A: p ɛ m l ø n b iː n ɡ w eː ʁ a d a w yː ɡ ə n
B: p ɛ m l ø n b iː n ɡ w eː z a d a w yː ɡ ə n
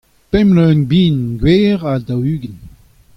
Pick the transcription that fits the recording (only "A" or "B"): A